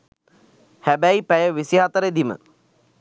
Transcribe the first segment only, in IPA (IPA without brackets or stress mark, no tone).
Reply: h